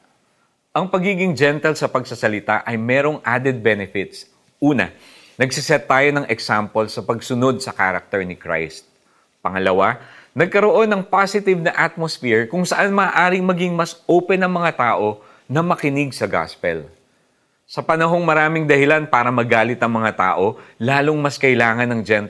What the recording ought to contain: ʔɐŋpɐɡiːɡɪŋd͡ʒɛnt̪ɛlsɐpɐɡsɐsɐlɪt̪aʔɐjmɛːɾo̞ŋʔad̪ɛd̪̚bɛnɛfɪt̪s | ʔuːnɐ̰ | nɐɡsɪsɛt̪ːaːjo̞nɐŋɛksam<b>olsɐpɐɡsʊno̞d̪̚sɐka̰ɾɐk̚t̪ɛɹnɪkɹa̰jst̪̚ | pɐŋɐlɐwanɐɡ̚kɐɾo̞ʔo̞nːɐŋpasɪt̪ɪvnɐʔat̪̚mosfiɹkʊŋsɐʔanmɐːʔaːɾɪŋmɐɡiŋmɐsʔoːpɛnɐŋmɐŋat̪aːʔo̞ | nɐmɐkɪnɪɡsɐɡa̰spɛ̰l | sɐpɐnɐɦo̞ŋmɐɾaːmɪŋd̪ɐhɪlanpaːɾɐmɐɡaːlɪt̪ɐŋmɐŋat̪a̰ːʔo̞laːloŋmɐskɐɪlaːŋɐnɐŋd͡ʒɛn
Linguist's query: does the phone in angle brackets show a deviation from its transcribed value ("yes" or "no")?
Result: yes